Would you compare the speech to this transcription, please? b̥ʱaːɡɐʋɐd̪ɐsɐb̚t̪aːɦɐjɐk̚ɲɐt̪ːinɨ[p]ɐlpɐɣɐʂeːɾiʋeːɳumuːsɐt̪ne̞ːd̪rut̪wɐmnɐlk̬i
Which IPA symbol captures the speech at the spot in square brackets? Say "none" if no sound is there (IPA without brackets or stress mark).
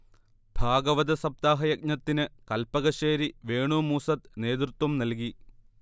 k